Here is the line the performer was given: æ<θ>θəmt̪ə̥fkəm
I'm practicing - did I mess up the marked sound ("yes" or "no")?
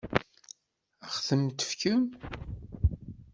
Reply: yes